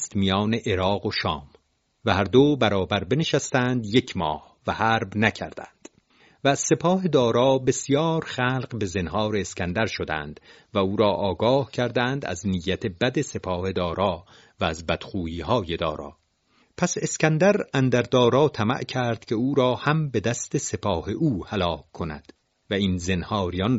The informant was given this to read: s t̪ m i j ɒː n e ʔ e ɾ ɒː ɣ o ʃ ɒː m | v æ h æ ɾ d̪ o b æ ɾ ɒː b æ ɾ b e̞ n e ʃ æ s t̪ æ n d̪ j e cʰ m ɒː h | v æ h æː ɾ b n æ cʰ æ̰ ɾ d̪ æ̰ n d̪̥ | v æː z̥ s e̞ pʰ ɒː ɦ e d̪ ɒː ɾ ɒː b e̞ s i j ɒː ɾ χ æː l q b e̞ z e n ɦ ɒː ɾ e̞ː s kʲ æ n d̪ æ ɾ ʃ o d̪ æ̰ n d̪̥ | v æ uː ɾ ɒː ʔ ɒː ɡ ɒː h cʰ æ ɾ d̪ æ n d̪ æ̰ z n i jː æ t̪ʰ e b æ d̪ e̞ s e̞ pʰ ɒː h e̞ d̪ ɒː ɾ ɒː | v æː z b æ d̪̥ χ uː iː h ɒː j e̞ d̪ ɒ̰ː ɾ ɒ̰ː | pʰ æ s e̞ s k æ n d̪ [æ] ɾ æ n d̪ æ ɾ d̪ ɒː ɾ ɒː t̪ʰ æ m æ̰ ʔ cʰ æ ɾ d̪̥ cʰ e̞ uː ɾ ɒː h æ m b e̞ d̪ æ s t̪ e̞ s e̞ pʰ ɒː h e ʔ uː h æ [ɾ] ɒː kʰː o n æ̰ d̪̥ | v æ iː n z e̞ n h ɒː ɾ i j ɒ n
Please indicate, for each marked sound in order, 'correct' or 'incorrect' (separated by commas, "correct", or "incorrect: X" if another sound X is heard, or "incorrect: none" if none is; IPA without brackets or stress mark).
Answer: correct, incorrect: l